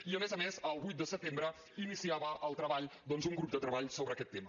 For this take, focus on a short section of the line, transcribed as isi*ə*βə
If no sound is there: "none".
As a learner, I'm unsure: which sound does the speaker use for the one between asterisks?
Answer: a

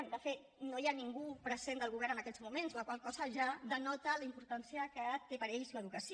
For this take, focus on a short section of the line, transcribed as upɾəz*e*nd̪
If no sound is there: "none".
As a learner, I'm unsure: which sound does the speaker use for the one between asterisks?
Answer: e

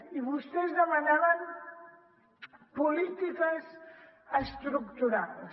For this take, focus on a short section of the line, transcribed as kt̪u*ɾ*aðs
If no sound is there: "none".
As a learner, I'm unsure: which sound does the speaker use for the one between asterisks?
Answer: ɾ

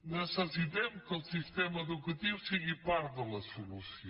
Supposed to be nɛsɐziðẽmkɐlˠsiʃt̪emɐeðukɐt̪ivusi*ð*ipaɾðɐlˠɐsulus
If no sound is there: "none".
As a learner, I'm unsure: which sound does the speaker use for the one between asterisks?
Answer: ɣ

